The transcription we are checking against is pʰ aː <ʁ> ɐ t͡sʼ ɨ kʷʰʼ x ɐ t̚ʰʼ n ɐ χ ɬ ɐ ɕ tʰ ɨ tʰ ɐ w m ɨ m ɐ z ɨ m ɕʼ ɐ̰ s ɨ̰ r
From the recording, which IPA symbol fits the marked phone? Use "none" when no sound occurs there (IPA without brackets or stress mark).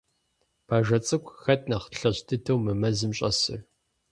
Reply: ʒ